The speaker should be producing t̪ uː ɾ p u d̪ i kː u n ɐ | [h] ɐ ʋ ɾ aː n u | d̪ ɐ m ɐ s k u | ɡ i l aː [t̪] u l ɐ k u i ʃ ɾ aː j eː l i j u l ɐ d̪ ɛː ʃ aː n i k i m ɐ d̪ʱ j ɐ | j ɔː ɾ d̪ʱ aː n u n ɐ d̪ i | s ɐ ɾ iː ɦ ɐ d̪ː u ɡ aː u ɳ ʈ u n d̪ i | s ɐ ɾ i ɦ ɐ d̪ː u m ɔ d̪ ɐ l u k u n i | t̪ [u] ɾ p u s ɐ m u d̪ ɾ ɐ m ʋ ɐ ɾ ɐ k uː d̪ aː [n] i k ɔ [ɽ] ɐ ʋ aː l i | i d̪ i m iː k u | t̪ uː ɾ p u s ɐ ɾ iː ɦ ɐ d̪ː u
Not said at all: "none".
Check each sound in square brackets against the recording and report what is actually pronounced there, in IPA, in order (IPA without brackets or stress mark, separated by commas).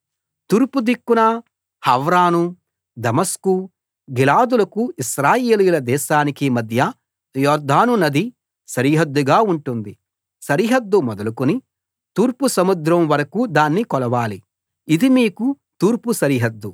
h, d̪, uː, nː, l